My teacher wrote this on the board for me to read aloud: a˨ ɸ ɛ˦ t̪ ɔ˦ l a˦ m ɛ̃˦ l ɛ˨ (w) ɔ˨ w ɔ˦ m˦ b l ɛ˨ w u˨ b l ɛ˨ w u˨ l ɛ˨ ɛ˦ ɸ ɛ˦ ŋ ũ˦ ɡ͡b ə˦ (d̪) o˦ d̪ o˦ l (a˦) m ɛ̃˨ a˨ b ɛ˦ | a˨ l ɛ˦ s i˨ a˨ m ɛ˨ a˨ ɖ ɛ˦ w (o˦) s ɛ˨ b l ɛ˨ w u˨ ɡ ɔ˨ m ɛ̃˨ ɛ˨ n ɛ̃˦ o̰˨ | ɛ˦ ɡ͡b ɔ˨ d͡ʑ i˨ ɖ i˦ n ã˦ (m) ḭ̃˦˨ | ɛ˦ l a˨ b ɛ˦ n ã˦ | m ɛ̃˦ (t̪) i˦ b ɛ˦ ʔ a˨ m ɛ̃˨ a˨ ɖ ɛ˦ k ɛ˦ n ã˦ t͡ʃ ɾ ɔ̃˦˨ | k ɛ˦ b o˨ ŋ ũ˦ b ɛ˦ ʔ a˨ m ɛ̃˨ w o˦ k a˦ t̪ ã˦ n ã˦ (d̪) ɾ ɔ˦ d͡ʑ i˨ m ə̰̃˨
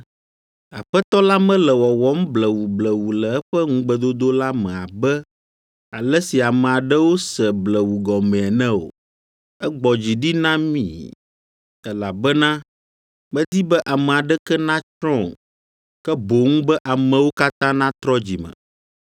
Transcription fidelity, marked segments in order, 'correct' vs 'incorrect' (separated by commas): correct, correct, correct, correct, correct, incorrect, incorrect